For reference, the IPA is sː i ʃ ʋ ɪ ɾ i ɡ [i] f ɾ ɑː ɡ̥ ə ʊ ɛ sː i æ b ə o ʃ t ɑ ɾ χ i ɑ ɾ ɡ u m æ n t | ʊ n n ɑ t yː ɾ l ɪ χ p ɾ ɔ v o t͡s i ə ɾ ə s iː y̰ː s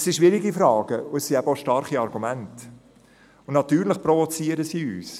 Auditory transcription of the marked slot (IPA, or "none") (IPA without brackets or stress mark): i